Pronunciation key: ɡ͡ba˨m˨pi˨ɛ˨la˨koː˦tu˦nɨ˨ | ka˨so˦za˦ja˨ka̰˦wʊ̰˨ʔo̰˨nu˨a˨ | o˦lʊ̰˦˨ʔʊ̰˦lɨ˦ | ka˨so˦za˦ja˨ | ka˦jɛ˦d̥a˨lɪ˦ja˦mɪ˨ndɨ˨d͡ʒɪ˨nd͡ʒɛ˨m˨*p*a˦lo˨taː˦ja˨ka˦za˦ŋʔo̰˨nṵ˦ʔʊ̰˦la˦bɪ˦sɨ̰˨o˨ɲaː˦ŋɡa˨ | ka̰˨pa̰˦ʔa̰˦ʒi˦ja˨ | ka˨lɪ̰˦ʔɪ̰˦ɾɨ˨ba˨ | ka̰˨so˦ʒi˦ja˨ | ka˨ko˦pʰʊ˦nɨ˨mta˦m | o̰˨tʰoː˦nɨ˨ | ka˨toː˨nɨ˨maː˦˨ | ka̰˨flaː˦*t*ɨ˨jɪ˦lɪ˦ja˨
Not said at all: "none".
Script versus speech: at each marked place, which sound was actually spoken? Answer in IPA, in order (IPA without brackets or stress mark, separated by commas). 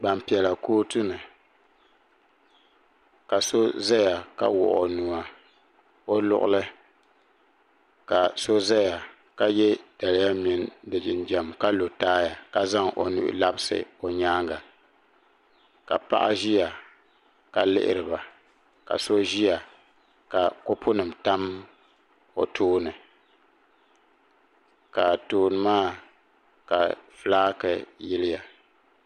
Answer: k, k